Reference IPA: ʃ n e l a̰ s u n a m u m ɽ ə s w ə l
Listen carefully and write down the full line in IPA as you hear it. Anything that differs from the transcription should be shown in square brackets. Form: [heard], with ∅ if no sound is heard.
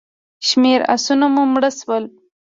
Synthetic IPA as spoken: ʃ [m] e [ɾ] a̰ s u n a m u m ɽ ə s w ə l